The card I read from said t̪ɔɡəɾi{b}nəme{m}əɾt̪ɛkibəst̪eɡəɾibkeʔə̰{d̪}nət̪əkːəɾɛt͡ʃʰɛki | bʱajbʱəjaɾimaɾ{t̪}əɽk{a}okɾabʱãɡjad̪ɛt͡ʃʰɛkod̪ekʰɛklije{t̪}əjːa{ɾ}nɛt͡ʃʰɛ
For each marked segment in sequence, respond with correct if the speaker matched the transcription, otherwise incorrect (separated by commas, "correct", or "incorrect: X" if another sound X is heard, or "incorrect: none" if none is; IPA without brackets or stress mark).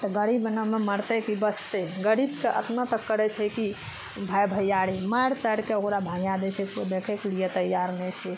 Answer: correct, correct, incorrect: t̪, correct, incorrect: e, correct, correct